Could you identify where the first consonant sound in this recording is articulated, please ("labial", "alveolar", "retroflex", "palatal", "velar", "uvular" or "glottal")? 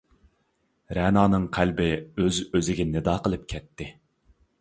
alveolar